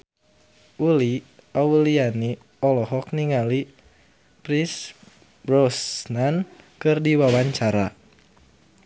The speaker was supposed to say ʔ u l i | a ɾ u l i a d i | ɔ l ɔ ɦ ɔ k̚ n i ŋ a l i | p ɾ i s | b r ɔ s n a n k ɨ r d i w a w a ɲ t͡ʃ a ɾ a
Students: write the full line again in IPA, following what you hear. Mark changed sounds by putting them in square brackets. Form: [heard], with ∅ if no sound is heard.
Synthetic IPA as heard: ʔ u l i | a [∅] u l i a [n] i | ɔ l ɔ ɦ ɔ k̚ n i ŋ a l i | p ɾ i s | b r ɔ s n a n k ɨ r d i w a w a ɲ t͡ʃ a ɾ a